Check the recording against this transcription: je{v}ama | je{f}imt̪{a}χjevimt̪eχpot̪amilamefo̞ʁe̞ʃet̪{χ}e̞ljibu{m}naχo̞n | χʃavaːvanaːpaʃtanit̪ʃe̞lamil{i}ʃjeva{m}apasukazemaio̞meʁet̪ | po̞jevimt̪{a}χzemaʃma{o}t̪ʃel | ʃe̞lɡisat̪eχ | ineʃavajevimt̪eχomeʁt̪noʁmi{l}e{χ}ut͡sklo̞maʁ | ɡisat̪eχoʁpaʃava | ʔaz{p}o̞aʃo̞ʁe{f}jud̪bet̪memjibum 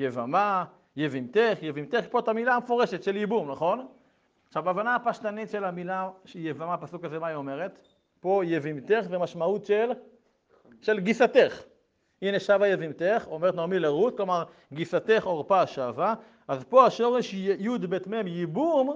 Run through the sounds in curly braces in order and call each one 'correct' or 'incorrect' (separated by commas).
correct, incorrect, incorrect, incorrect, correct, incorrect, correct, incorrect, incorrect, correct, incorrect, correct, incorrect